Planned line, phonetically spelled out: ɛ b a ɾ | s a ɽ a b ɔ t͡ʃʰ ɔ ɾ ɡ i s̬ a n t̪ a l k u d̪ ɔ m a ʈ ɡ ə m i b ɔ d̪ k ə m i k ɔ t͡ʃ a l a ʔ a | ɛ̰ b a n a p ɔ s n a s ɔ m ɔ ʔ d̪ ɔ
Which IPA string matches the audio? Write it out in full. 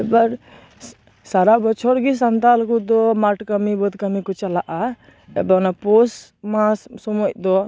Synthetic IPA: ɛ b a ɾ | s a ɾ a b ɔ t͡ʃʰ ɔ ɾ ɡ i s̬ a n t̪ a l k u d̪ ɔ m a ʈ k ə m i b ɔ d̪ k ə m i k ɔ t͡ʃ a l a ʔ a | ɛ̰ b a n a p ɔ s m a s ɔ m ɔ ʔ d̪ ɔ